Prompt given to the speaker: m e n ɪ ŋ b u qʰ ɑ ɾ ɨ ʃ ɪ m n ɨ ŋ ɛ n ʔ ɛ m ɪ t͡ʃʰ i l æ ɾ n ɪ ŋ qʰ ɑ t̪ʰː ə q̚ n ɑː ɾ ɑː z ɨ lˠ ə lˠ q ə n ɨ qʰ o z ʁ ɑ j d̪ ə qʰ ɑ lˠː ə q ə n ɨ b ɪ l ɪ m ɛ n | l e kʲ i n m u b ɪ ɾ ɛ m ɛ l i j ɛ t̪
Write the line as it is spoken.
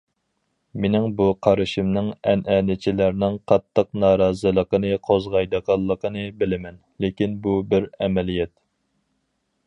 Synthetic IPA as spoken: m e n ɪ ŋ b u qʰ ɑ ɾ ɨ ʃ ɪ m n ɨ ŋ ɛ n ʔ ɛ n ɪ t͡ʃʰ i l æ ɾ n ɪ ŋ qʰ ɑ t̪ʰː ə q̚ n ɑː ɾ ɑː z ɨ lˠ ə q ə n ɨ qʰ o z ʁ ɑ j d̪ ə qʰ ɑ lˠː ə q ə n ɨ b ɪ l ɪ m ɛ n | l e kʲ i n b u b ɪ ɾ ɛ m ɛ l i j ɛ t̪

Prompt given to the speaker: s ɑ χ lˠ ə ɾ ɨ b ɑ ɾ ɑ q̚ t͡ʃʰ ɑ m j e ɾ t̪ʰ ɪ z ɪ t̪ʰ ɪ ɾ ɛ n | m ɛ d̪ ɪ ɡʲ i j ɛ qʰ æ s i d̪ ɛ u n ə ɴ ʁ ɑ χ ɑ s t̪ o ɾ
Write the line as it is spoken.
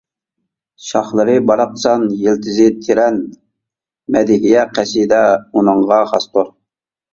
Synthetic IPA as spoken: ʃ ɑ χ lˠ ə ɾ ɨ b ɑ ɾ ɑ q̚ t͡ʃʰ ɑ n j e l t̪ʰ ɪ z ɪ t̪ʰ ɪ ɾ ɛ n | m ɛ d̪ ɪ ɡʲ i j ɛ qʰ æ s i d̪ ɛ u n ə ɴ ʁ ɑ χ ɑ s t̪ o ɾ

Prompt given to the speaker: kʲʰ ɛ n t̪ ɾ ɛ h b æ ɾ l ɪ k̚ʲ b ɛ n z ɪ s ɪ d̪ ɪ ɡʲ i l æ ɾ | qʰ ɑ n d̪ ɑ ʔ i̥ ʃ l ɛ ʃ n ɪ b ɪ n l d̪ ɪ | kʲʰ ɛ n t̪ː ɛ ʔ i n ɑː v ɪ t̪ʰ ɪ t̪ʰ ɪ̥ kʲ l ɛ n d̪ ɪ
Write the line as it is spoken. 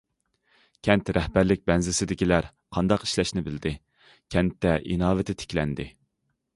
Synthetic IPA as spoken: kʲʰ ɛ n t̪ ɾ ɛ h b æ ɾ l ɪ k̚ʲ b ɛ n z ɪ s ɪ d̪ ɪ kʲ i l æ ɾ | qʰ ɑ n d̪ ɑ q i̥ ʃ l ɛ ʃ n ɪ b ɪ l d̪ ɪ | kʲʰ ɛ n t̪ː ɛ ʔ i n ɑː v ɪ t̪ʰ ɪ t̪ʰ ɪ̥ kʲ l ɛ n d̪ ɪ

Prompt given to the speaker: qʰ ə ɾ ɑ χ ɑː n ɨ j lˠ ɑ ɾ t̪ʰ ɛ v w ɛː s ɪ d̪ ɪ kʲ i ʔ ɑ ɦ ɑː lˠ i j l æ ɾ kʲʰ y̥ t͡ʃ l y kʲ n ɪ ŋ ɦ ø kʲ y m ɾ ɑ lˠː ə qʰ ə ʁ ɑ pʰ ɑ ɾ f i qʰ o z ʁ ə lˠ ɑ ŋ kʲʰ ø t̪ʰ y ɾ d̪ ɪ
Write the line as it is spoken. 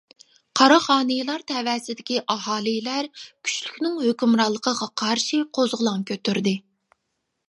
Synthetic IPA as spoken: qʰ ɑ ɾ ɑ χ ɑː n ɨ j lˠ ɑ ɾ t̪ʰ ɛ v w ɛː s ɪ d̪ ɪ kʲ i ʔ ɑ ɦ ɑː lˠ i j l æ ɾ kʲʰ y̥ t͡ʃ l y kʲ n ɪ ŋ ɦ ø kʲ y m ɾ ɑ lˠː ə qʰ ə ʁ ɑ qʰ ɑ ɾ ʃ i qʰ o z ʁ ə lˠ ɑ ŋ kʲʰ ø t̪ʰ y ɾ d̪ ɪ

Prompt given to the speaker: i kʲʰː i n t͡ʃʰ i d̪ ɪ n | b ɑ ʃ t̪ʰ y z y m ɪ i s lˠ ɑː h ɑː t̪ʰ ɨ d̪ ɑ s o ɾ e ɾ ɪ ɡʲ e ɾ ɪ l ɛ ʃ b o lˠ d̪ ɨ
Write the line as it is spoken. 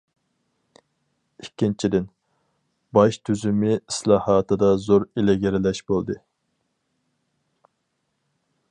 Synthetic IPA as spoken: i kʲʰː i n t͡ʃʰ i d̪ ɪ n | b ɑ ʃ t̪ʰ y z y m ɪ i s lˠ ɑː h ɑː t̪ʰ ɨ d̪ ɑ z o ɾ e l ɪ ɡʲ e ɾ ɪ l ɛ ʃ b o lˠ d̪ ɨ

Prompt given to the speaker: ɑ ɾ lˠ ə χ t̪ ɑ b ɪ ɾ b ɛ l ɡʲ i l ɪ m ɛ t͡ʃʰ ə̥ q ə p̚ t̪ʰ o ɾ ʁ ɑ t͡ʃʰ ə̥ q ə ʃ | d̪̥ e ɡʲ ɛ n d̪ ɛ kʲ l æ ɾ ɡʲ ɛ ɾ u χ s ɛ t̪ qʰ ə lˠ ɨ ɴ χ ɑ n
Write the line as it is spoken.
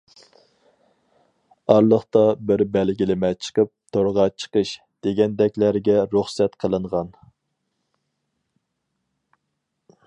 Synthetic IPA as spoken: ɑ ɾ lˠ ə χ t̪ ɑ b ɪ ɾ b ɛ l ɡʲ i l ɪ m ɛ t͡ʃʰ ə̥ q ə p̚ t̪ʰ o ɾ ʁ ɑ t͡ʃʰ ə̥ q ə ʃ | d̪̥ e ɡʲ ɛ n d̪ ɛ kʲ l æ ɾ ɡʲ ɛ ɾ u χ s ɛ t̪ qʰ ə lˠ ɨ ɴ ʁ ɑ n

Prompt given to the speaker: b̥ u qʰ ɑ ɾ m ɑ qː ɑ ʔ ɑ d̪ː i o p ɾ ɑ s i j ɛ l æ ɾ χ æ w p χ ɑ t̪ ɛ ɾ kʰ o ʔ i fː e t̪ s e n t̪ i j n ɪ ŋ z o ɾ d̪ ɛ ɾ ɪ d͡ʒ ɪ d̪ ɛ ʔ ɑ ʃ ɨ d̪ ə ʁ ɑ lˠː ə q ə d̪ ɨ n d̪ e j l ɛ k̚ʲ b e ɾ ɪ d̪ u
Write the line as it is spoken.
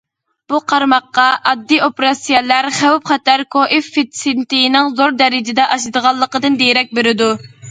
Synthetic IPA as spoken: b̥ u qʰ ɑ ɾ m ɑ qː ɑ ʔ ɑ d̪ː i o p ɾ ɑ s i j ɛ l æ ɾ χ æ w p χ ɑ t̪ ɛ ɾ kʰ o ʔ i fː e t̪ s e n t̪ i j n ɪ ŋ z o ɾ d̪ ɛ ɾ ɪ d͡ʒ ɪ d̪ ɛ ʔ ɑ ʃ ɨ d̪ ə ʁ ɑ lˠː ə q ə d̪ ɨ n d̪ e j ɾ ɛ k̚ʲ b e ɾ ɪ d̪ u

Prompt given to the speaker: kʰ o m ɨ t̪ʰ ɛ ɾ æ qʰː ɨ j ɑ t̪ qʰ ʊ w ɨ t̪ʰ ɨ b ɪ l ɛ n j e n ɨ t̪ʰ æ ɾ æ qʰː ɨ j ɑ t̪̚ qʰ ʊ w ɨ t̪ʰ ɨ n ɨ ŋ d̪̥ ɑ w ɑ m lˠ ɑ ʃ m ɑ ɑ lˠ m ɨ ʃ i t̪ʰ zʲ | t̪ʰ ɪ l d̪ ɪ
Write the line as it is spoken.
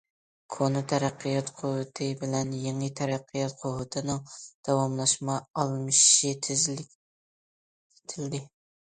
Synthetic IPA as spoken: kʰ o n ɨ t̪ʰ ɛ ɾ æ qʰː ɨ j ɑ t̪ qʰ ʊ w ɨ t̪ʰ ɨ b ɪ l ɛ n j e ŋ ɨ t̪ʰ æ ɾ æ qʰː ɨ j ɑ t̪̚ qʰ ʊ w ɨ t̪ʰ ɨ n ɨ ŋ d̪̥ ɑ w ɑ m lˠ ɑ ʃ m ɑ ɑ lˠ m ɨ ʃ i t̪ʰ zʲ | t̪ʰ ɪ l d̪ ɪ

